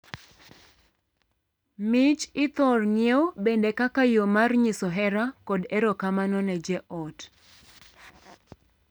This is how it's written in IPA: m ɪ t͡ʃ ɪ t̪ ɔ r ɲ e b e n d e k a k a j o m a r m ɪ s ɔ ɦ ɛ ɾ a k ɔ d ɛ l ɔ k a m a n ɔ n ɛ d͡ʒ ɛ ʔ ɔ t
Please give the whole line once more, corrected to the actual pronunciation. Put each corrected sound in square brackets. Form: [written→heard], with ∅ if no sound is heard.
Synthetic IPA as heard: m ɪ t͡ʃ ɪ t̪ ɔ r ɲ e b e n d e k a k a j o m a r [m→ɲ] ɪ s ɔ ɦ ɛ ɾ a k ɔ d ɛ [l→ɾ] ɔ k a m a n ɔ n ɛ d͡ʒ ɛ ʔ ɔ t